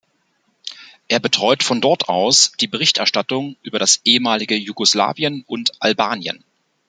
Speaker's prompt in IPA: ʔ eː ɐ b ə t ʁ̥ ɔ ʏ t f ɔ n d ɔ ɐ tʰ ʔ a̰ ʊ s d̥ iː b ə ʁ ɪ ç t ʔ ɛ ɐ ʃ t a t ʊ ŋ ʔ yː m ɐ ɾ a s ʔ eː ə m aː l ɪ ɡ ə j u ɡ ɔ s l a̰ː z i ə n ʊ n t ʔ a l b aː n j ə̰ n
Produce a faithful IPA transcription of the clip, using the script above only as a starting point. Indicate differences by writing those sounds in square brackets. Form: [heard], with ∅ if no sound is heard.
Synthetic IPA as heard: ʔ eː ɐ b ə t ʁ̥ ɔ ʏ t f ɔ n d ɔ ɐ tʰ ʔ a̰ ʊ s d̥ iː b ə ʁ ɪ ç t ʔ ɛ ɐ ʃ t a t ʊ ŋ ʔ yː [b] ɐ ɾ a s ʔ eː ə m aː l ɪ ɡ ə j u ɡ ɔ s l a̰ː [v] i ə n ʊ n t ʔ a l b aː n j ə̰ n